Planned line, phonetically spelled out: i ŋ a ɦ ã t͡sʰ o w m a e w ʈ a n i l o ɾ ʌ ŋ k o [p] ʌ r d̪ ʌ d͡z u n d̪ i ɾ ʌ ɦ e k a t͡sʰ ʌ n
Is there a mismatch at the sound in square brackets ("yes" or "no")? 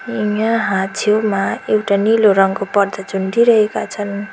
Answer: no